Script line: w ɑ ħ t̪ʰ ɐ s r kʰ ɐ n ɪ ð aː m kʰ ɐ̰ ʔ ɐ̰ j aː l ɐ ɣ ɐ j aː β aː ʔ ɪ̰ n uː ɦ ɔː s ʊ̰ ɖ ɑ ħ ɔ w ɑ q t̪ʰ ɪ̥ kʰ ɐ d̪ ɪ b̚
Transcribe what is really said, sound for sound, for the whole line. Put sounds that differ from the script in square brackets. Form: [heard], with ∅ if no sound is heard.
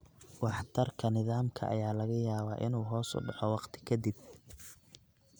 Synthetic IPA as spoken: w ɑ ħ t̪ʰ ɐ [∅] r kʰ ɐ n ɪ ð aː m kʰ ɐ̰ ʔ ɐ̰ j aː l ɐ ɣ ɐ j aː β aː ʔ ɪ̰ n uː ɦ ɔː s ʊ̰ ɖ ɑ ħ ɔ w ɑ q t̪ʰ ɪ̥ kʰ ɐ d̪ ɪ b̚